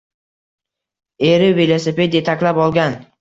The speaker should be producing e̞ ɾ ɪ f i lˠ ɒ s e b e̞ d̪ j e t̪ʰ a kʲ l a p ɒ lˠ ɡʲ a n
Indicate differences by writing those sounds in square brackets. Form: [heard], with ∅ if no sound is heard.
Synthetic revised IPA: e̞ ɾ ɪ [v] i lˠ [o] s e [p] e̞ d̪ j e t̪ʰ a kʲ l a p ɒ lˠ ɡʲ a n